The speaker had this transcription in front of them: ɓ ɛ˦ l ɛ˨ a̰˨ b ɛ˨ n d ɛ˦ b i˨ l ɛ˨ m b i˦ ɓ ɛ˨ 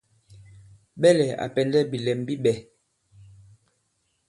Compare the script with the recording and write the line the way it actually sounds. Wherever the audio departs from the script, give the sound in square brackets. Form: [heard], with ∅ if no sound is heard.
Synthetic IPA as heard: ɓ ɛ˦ l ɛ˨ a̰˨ [p] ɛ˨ n d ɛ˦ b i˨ l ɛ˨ m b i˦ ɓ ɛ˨